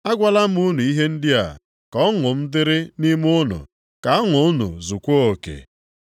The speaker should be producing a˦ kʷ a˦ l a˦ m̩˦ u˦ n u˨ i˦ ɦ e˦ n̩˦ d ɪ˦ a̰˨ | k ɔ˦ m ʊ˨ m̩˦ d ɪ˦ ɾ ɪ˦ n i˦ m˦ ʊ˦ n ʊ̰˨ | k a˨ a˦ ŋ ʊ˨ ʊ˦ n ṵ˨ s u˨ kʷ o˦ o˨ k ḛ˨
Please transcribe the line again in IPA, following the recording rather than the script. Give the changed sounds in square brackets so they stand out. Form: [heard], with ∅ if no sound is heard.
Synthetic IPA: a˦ [ɡʷ] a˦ l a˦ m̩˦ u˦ n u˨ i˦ ɦ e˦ n̩˦ d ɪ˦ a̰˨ | k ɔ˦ [ŋ] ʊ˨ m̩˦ d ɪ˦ ɾ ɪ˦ n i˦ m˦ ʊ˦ n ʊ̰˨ | k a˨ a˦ ŋ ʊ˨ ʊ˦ n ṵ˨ [z] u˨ kʷ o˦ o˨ k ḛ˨